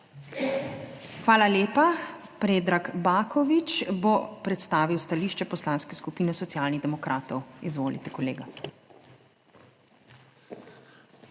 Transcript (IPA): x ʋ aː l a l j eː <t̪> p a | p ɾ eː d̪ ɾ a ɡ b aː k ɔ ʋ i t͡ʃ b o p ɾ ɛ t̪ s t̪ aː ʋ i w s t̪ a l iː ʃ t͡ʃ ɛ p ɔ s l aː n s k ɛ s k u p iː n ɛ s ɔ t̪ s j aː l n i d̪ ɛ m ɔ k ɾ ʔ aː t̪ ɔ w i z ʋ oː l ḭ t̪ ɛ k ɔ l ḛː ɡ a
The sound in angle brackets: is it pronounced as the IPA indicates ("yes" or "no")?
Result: no